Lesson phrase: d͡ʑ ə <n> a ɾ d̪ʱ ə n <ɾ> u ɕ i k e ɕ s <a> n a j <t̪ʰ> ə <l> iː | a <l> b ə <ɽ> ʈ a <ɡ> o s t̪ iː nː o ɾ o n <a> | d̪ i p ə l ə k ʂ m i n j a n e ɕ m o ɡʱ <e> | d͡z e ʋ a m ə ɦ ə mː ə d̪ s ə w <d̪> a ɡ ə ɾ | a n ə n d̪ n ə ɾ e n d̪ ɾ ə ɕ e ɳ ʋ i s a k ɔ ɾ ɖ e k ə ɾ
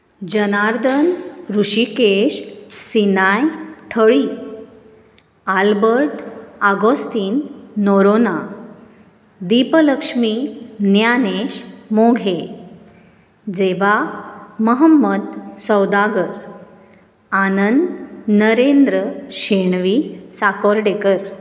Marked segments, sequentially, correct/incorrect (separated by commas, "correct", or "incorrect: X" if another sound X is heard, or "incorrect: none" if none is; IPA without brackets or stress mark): correct, correct, incorrect: i, correct, incorrect: ɭ, correct, incorrect: ɾ, correct, correct, correct, correct